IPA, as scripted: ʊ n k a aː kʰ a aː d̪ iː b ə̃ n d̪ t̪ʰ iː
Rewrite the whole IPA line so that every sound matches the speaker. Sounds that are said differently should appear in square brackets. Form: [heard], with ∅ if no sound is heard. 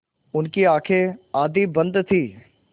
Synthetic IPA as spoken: ʊ n k [i] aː kʰ [e] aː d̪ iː b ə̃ n d̪ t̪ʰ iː